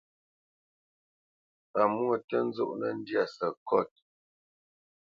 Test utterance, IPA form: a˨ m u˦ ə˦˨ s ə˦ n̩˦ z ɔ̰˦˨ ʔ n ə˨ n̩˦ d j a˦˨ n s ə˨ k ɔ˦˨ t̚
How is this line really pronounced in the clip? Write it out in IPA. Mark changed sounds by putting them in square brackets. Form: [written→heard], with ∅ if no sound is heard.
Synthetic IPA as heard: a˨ m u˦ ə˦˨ [s→t] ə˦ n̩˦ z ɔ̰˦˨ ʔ n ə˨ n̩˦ d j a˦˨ [n→∅] s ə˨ k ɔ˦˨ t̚